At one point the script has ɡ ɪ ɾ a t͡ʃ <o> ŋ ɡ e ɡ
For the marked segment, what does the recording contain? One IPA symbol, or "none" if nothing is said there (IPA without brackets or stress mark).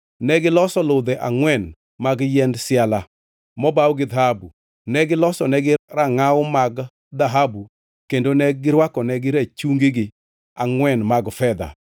u